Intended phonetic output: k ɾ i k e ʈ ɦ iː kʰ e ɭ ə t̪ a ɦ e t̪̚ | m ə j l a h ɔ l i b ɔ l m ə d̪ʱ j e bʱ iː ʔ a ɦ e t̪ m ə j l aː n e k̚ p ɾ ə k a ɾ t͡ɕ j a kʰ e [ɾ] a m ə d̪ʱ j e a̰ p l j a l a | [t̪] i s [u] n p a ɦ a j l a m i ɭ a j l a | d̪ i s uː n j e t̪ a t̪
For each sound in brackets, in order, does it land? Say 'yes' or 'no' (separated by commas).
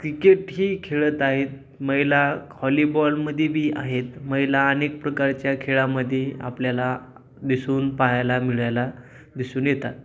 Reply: no, no, no